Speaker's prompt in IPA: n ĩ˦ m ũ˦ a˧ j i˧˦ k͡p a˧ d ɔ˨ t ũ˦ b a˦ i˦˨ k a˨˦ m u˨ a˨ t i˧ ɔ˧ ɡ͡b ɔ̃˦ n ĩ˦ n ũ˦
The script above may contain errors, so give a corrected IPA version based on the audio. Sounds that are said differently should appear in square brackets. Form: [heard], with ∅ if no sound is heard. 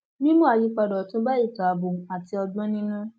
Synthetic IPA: n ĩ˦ m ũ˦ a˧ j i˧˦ k͡p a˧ d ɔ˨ t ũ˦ b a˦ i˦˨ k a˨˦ [b] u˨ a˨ t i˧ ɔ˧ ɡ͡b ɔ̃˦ n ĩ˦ n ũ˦